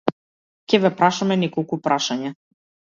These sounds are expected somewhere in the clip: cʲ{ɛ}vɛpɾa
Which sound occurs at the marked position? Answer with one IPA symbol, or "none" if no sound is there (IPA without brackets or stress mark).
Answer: ɛ